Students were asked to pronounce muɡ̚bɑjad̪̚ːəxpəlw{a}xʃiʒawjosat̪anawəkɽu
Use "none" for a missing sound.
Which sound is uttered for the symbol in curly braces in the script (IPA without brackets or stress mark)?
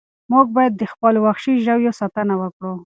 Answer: a